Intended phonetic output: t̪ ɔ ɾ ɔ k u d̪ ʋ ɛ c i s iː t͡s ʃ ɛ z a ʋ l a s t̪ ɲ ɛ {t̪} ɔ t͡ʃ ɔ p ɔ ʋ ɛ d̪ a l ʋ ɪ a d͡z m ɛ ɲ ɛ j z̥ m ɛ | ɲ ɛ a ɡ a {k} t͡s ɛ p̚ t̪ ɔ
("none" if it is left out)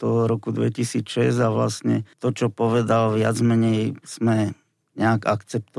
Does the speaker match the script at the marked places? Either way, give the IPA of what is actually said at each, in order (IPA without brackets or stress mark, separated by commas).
t̪, k